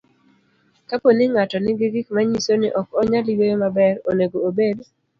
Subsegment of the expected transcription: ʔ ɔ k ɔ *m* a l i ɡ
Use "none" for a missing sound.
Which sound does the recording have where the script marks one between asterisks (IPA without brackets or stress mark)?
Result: ɲ